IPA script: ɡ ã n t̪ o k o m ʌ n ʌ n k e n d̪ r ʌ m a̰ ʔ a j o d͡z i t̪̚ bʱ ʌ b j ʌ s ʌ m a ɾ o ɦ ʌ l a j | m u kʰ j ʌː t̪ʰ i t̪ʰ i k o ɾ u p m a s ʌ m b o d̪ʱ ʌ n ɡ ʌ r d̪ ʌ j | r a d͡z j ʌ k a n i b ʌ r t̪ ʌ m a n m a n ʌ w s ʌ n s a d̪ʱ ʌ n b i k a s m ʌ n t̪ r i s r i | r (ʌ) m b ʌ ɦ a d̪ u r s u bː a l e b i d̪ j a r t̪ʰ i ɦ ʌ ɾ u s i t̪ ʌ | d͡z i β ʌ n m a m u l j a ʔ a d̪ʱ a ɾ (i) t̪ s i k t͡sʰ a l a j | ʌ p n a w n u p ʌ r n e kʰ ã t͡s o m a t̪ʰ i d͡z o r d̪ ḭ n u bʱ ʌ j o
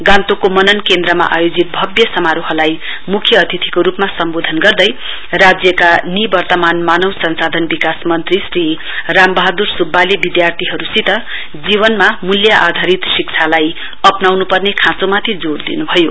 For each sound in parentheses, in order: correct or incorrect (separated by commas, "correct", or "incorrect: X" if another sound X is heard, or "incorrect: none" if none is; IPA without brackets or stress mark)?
incorrect: a, correct